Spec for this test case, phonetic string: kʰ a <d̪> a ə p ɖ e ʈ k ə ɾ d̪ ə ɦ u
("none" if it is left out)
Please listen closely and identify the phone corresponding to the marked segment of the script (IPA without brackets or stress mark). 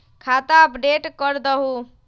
t̪